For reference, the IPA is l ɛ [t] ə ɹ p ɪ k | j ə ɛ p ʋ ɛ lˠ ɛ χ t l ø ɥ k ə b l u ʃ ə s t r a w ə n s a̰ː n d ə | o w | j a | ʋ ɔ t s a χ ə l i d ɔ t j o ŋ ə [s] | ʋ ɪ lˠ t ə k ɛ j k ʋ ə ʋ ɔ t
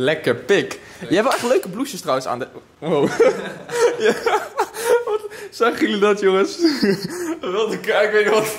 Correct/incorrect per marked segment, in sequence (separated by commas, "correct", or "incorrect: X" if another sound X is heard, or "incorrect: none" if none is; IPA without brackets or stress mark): incorrect: k, correct